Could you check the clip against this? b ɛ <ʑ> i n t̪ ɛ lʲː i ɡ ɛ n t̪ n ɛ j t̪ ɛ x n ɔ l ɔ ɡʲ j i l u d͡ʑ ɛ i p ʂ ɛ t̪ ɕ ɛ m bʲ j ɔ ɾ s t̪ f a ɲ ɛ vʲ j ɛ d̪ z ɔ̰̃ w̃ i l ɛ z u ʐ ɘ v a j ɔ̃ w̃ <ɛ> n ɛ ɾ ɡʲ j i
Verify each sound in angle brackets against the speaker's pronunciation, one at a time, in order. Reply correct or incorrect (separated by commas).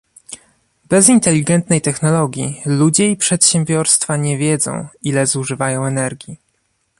incorrect, correct